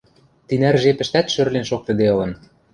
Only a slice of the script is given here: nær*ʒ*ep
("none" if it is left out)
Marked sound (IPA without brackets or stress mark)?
ʒ